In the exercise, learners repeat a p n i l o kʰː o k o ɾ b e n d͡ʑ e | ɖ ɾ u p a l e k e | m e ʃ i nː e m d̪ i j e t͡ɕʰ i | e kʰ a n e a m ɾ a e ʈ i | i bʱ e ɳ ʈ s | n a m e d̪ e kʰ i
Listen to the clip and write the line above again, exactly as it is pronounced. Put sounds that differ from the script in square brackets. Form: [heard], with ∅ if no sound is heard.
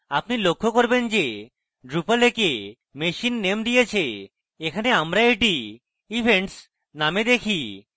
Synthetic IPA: a p n i l o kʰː o k o ɾ b e n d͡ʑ e | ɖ ɾ u p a l e k e | m e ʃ i nː e m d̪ i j e t͡ɕʰ [e] | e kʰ a n e a m ɾ a e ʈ i | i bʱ e ɳ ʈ s | n a m e d̪ e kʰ i